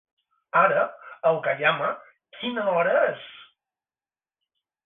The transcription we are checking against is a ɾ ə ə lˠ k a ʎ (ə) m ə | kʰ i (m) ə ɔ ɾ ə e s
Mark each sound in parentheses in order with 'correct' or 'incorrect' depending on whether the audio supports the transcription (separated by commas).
incorrect, incorrect